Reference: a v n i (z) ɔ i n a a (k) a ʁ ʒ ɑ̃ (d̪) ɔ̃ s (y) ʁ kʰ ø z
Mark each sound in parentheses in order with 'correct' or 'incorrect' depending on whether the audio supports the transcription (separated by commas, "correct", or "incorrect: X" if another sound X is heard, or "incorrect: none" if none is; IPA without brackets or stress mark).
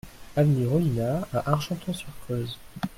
incorrect: ʁ, incorrect: ʔ, incorrect: t̪, correct